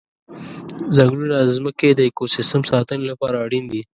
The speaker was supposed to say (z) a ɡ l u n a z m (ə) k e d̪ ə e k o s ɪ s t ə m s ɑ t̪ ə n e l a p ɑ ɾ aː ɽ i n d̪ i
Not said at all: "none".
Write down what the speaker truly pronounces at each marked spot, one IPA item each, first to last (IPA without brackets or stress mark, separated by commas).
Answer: z, ə